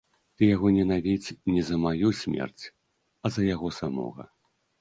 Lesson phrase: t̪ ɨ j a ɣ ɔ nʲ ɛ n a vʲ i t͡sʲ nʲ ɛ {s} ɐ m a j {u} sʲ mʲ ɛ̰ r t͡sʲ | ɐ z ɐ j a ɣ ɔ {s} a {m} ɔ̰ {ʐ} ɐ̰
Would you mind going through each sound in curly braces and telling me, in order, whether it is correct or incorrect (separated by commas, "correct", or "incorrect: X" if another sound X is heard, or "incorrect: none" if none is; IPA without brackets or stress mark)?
incorrect: z, correct, correct, correct, incorrect: ɣ